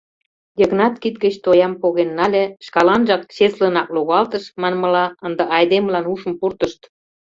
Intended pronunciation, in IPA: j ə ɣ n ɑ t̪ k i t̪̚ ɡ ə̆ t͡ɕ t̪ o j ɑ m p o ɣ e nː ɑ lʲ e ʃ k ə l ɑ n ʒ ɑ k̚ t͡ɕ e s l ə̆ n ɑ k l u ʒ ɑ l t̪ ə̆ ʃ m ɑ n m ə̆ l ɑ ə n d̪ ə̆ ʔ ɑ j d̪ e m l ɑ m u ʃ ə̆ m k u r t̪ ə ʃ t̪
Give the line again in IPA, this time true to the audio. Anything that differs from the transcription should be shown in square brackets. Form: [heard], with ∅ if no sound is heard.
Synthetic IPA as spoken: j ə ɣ n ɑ t̪ k i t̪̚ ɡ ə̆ t͡ɕ t̪ o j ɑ m p o ɣ e nː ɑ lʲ e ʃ k [ɑ] l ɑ n ʒ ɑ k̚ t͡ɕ e s l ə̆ n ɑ k l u [ɣ] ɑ l t̪ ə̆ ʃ m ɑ n m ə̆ l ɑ ə n d̪ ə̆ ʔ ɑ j d̪ e m l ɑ [n] u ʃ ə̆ m [p] u r t̪ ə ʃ t̪